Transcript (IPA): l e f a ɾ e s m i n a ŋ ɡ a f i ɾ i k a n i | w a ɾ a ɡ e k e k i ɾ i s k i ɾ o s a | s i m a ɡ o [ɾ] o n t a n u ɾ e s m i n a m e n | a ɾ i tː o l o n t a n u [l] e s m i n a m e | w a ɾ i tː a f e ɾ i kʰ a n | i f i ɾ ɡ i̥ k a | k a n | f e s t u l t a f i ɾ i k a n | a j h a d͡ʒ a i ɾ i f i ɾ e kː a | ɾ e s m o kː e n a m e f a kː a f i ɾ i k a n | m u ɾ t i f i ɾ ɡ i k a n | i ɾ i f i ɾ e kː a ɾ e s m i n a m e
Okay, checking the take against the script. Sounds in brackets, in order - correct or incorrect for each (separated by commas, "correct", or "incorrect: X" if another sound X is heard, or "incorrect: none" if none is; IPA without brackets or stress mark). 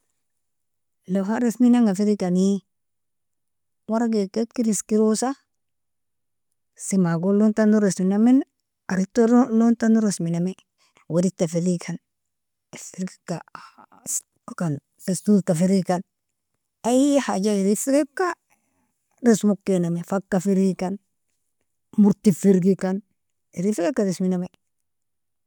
incorrect: l, incorrect: ɾ